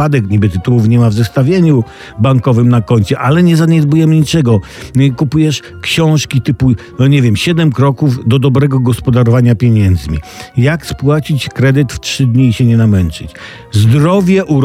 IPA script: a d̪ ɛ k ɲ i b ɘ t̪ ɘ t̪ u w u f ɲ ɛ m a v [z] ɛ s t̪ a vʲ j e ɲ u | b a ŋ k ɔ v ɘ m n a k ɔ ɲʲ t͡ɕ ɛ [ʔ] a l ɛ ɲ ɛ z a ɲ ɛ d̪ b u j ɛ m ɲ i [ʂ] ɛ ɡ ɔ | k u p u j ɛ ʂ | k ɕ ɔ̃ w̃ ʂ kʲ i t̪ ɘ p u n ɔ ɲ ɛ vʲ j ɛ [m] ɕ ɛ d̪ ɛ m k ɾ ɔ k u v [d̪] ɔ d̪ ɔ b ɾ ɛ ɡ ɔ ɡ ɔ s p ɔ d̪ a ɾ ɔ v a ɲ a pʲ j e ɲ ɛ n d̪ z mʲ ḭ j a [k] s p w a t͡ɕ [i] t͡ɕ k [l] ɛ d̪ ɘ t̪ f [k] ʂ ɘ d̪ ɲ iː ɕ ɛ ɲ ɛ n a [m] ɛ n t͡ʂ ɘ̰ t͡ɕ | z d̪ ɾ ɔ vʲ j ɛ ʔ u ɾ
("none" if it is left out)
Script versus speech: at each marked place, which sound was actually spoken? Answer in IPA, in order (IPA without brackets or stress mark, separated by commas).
z, ʔ, t͡ʂ, m, d̪, k, i, ɾ, t, m